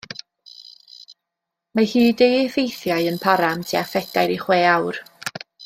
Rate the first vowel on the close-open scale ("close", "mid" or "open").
open